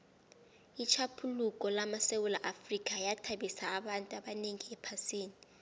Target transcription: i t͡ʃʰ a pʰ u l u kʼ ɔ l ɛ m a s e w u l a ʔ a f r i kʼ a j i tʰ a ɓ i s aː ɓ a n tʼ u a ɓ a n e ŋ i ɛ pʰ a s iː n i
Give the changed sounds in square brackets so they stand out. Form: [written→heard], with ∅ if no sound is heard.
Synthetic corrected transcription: i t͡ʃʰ a pʰ u l u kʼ ɔ l [ɛ→a] m a s e w u l a ʔ a f r i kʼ a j [i→a] tʰ a ɓ i s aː ɓ a n tʼ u a ɓ a n e ŋ i ɛ pʰ a s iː n i